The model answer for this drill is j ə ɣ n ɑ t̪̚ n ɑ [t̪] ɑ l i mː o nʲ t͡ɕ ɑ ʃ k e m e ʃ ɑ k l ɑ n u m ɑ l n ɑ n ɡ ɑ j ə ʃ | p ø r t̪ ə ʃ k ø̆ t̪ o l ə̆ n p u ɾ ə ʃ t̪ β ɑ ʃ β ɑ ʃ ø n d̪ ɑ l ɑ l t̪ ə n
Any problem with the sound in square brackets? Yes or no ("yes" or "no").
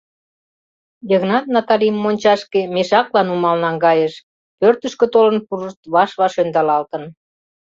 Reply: no